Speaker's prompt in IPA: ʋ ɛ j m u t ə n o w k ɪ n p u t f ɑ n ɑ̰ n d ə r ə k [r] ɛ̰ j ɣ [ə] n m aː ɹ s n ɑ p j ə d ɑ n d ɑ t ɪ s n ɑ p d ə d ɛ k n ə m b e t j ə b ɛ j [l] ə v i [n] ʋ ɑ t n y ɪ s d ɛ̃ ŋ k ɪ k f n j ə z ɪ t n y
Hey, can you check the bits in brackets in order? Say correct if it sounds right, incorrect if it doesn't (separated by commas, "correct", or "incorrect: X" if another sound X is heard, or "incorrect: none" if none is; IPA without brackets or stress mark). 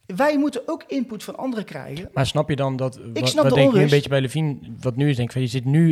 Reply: correct, correct, correct, correct